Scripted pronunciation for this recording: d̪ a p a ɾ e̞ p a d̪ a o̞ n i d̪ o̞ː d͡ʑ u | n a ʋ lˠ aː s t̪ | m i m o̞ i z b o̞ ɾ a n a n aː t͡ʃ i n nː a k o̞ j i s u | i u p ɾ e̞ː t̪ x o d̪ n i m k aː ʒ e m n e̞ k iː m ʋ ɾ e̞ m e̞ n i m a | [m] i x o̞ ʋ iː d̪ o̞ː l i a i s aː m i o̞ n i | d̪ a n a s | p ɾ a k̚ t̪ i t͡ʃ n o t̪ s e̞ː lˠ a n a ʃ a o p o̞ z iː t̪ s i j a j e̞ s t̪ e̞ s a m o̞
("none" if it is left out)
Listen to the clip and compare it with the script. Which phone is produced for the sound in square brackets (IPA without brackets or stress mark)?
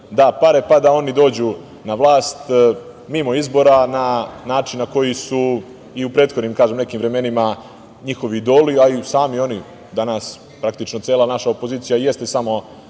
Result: ɲ